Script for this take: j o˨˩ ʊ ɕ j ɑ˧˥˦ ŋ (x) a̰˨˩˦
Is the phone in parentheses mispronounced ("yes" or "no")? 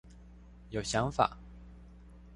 yes